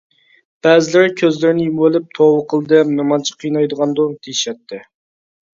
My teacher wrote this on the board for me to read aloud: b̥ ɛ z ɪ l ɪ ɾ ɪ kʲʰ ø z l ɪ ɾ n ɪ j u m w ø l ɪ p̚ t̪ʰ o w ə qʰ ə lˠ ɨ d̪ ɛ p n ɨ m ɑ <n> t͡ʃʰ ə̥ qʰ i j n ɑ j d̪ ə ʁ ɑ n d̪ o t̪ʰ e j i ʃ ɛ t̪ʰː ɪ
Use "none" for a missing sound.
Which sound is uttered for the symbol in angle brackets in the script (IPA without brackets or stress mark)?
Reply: n